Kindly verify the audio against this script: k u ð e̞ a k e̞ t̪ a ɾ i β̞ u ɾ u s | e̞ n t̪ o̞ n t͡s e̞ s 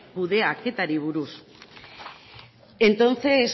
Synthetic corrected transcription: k u ð e̞ a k e̞ t̪ a ɾ i β̞ u ɾ u s | e̞ n t̪ o̞ n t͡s e̞ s